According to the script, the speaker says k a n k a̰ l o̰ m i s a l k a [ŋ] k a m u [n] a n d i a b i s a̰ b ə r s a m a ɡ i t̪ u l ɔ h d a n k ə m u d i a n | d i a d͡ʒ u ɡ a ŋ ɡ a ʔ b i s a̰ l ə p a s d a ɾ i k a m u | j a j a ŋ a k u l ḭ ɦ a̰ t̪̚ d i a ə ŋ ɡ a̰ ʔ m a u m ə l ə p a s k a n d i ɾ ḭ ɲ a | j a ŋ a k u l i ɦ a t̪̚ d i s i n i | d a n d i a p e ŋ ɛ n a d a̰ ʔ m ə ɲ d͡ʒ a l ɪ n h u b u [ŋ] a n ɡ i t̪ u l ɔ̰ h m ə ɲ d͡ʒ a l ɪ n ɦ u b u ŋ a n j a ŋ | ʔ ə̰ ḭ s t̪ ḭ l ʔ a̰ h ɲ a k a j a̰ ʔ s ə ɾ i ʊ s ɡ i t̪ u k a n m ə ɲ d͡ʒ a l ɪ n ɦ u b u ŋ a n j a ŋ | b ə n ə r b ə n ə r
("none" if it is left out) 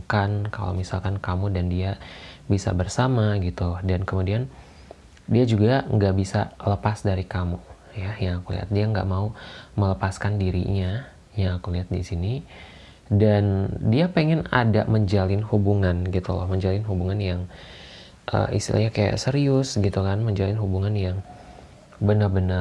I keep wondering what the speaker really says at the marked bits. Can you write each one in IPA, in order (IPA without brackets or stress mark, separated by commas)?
n, d, ŋ